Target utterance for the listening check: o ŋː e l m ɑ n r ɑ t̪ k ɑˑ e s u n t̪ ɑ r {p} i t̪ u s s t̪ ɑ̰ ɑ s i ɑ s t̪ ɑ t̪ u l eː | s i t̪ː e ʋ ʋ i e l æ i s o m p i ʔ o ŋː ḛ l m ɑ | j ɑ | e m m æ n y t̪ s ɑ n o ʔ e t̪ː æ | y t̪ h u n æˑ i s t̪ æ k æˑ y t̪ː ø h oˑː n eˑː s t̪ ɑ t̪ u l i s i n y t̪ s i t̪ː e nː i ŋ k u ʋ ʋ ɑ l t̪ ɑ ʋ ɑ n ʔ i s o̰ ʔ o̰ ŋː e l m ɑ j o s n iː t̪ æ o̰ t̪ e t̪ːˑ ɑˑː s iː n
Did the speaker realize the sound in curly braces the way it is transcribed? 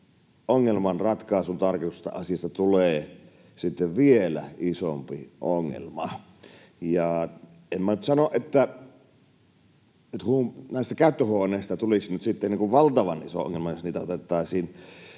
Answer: no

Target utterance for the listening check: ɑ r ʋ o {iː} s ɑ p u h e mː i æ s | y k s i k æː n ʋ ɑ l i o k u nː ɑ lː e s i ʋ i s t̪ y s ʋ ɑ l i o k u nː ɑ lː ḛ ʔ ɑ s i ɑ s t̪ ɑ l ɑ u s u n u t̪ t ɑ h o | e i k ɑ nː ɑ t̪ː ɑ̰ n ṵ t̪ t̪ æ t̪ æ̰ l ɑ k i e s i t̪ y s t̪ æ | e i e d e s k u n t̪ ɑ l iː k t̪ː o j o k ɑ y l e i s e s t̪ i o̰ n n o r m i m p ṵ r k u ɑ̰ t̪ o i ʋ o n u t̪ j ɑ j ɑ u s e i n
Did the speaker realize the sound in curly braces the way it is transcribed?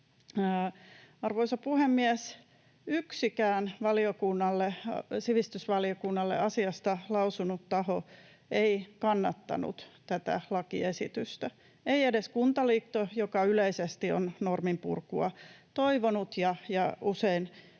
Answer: no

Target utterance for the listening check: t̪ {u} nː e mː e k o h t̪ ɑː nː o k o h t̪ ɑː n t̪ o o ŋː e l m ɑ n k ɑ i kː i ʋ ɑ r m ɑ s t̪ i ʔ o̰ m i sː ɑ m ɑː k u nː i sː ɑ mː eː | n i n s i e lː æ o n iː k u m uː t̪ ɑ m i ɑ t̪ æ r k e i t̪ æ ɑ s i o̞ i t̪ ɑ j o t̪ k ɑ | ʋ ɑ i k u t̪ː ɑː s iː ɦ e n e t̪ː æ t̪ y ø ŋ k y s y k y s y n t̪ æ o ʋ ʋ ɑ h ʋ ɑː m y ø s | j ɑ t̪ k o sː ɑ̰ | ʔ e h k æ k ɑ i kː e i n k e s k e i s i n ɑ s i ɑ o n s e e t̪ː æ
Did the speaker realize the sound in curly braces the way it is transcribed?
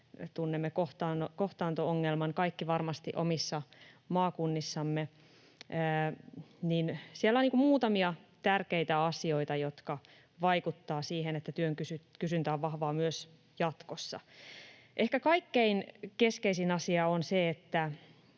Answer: yes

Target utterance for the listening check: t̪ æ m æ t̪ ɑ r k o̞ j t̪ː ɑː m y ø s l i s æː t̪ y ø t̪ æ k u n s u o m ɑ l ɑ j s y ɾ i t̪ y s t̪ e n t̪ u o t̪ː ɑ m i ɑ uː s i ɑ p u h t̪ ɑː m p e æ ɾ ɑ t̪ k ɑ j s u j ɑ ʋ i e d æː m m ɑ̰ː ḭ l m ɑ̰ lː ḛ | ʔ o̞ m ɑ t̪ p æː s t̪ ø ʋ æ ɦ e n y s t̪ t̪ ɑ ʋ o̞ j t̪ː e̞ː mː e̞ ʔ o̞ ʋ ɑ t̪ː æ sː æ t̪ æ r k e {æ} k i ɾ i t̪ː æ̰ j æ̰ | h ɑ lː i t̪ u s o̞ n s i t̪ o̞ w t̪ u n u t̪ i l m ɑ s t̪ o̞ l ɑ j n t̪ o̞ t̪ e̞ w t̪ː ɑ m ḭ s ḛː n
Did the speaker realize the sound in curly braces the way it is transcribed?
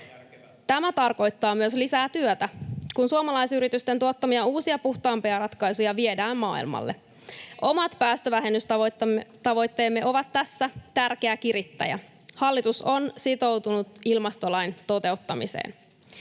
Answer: yes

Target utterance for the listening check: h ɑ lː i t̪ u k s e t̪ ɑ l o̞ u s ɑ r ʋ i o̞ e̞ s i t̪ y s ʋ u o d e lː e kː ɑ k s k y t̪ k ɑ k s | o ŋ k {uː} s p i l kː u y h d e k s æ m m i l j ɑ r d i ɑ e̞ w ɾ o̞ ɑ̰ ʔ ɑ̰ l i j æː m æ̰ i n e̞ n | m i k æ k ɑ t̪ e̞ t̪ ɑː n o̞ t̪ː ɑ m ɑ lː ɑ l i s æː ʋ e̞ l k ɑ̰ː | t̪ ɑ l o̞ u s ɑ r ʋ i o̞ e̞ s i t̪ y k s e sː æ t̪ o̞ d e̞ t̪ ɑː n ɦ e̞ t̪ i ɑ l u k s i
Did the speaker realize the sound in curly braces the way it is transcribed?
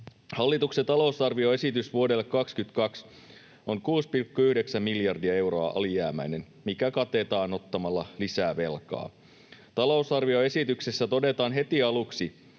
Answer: yes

